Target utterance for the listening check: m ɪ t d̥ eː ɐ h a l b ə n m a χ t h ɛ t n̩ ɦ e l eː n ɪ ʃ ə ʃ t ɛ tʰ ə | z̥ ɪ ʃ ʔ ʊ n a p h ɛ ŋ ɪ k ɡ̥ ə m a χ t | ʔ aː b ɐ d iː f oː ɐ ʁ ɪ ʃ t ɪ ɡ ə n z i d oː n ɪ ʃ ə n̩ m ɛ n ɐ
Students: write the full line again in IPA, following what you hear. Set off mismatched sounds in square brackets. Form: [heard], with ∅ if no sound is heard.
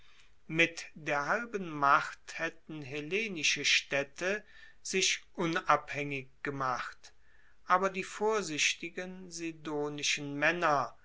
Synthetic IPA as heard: m ɪ t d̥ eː ɐ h a l b ə n m a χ t h ɛ t n̩ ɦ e l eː n ɪ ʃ ə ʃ t ɛ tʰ ə | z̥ ɪ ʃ ʔ ʊ n a p h ɛ ŋ ɪ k ɡ̥ ə m a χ t | ʔ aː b ɐ d iː f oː ɐ [z] ɪ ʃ t ɪ ɡ ə n z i d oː n ɪ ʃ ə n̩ m ɛ n ɐ